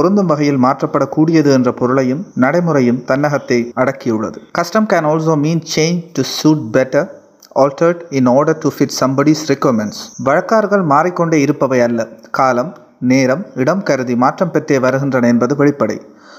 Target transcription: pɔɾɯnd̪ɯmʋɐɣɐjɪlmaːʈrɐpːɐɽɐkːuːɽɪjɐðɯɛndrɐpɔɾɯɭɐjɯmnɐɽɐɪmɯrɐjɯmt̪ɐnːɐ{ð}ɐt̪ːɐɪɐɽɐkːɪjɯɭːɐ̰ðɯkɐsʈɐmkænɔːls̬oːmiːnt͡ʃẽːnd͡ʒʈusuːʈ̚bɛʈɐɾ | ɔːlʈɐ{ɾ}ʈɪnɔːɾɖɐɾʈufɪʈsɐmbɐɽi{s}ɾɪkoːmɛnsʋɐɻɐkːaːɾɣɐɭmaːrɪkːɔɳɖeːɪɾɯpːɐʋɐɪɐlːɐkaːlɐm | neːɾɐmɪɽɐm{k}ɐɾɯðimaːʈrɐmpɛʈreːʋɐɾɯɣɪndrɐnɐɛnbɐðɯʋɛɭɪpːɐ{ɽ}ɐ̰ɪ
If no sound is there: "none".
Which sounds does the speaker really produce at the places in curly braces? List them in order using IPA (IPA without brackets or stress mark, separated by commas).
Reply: ɣ, ɾ, s, k, ɽ